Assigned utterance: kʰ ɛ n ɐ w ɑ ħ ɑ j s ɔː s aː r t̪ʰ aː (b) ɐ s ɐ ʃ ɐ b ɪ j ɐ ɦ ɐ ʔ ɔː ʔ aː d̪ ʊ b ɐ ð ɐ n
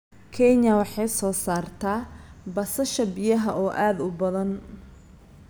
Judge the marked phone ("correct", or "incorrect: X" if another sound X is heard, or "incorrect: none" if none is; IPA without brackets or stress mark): correct